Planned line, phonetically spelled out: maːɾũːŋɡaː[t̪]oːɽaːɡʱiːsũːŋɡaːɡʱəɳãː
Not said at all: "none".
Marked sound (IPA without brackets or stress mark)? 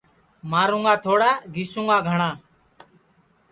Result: t̪ʰ